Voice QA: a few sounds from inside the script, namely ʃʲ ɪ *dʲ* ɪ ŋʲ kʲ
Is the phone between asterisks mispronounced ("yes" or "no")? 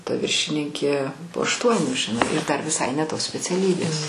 yes